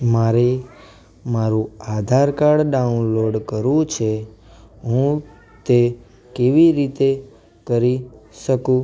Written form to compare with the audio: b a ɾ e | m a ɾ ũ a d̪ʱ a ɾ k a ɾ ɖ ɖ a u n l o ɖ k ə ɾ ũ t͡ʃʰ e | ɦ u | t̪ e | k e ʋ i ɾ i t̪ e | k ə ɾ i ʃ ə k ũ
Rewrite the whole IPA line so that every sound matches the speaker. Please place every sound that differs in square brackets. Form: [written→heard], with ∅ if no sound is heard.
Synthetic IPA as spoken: [b→m] a ɾ e | m a ɾ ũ a d̪ʱ a ɾ k a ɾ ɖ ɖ a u n l o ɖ k ə ɾ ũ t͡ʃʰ e | ɦ [u→ũ] | t̪ e | k e ʋ i ɾ i t̪ e | k ə ɾ i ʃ ə k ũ